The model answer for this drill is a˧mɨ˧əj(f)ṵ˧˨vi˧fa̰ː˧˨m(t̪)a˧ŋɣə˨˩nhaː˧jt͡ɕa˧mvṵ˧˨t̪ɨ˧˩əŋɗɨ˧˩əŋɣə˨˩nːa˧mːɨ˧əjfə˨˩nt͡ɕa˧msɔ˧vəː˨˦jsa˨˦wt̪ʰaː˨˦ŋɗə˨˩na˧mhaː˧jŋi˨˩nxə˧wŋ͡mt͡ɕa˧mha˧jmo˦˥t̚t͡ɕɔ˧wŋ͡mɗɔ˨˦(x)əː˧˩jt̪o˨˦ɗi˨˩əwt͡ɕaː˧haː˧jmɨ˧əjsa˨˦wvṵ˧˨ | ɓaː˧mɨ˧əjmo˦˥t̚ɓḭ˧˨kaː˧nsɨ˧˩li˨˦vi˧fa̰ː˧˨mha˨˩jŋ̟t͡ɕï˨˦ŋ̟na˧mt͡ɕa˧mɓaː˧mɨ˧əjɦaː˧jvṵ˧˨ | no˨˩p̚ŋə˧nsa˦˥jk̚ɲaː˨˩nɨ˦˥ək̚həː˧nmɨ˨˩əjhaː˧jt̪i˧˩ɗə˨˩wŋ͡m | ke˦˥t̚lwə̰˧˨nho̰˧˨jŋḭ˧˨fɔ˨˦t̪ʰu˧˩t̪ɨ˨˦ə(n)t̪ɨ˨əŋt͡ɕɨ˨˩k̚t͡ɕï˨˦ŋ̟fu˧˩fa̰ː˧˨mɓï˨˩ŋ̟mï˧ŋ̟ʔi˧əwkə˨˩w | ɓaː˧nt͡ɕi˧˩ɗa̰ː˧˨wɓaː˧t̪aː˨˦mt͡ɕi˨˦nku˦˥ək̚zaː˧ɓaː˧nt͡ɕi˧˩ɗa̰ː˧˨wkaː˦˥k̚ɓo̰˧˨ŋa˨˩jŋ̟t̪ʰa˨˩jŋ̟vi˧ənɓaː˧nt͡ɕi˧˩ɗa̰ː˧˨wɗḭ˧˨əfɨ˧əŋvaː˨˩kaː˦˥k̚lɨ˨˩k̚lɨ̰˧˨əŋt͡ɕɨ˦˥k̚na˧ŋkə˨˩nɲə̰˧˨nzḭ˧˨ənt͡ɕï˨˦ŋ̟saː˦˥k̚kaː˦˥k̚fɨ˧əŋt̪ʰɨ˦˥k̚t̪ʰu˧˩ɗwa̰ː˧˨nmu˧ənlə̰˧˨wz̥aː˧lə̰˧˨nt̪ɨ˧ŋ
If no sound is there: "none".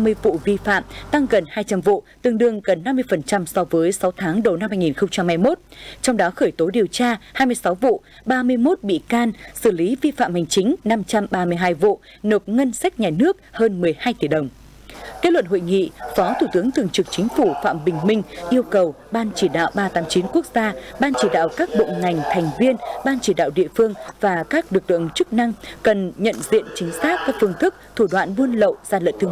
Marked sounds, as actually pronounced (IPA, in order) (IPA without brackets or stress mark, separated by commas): v, t̪, x, ŋ